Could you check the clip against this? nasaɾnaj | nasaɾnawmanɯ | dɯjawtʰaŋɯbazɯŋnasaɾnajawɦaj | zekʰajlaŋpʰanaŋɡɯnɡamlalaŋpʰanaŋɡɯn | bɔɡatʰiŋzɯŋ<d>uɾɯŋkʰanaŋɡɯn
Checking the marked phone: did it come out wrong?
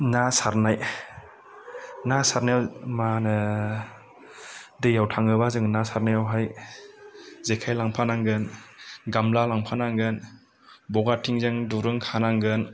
no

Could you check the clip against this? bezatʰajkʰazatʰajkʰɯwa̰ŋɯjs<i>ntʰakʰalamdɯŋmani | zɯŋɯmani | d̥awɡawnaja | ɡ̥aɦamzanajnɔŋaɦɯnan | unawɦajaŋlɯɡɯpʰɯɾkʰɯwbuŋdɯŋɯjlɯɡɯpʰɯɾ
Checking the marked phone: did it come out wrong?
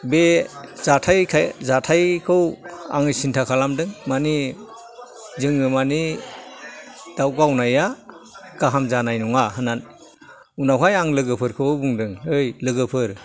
no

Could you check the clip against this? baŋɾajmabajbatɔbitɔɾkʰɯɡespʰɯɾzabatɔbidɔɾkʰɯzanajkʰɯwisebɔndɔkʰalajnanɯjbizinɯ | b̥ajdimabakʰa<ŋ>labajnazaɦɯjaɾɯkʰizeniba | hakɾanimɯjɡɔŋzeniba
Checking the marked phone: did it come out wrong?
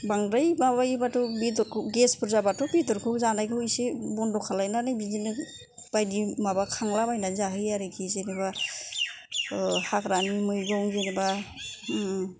no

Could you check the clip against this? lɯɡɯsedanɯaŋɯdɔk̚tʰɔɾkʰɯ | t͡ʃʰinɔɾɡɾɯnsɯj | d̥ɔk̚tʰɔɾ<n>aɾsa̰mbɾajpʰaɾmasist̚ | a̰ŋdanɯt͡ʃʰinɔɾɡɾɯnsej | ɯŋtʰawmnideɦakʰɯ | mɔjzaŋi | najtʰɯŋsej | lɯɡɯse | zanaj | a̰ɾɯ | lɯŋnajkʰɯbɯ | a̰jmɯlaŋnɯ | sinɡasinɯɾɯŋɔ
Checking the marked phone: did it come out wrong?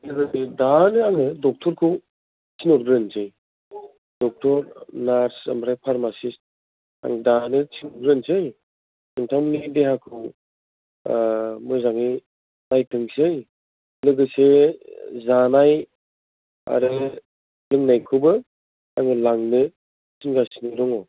no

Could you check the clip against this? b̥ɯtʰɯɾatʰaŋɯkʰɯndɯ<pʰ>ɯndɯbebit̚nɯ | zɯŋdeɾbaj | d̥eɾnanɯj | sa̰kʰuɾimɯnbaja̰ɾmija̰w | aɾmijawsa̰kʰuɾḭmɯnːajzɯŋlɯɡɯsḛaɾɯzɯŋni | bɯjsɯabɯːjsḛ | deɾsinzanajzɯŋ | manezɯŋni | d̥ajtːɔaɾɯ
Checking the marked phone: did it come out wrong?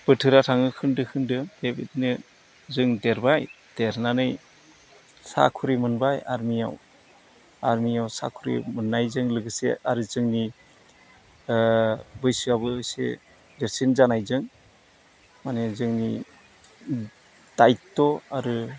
yes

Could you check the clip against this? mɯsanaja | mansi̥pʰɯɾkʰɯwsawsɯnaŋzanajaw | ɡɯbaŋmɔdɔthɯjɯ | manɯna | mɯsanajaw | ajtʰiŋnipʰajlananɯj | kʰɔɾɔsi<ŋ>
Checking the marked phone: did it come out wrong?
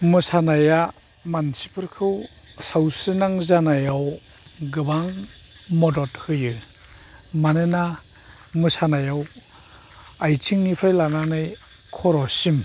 yes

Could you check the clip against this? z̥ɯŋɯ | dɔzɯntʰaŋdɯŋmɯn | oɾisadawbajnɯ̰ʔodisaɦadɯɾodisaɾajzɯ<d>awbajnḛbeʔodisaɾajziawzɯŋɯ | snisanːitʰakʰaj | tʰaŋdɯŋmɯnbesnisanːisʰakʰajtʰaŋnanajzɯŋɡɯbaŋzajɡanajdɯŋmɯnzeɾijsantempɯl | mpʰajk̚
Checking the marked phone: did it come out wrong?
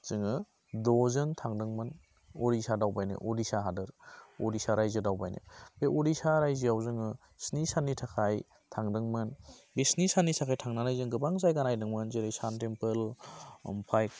no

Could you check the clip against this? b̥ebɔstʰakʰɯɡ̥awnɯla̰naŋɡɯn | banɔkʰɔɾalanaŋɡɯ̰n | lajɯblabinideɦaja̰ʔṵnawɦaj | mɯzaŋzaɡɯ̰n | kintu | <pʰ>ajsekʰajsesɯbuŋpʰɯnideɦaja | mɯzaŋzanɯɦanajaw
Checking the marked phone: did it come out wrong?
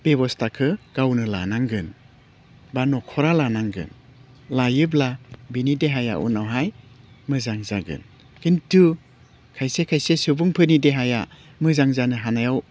yes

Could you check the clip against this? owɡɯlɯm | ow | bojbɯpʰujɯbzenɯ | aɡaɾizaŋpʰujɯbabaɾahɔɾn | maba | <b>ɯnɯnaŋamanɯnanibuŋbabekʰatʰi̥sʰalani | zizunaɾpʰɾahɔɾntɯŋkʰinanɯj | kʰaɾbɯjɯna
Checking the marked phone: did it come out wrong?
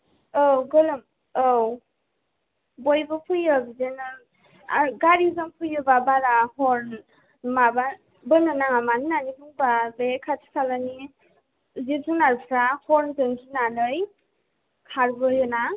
no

